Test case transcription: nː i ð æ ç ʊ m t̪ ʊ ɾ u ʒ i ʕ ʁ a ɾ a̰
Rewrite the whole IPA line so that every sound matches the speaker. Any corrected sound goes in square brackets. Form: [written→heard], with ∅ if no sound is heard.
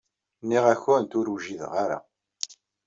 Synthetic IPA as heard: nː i [ð→ʁ] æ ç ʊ [m→n] t̪ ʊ ɾ u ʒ i [ʕ→ð] ʁ a ɾ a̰